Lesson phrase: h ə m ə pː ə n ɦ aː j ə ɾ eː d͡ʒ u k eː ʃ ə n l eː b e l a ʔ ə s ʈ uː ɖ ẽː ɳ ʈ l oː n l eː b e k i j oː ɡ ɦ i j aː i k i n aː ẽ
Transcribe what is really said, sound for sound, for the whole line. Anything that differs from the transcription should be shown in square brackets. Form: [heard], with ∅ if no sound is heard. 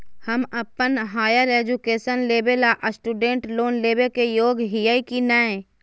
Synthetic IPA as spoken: h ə m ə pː ə n ɦ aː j ə ɾ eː d͡ʒ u k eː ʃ ə n l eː b e l a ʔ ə s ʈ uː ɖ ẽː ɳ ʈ l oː n l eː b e k [e] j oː ɡ ɦ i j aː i k i n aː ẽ